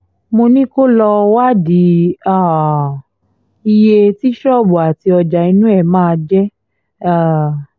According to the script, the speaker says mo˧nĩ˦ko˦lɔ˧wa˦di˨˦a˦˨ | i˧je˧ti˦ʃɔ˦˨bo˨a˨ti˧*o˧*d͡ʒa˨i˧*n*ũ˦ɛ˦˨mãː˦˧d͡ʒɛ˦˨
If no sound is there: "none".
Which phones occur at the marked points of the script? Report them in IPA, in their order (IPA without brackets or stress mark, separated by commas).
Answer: ɔ˧, n